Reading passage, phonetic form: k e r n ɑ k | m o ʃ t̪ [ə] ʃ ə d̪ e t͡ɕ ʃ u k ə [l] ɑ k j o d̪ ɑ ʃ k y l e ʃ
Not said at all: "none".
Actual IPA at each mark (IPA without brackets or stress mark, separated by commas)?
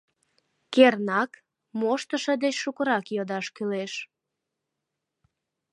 ə, ɾ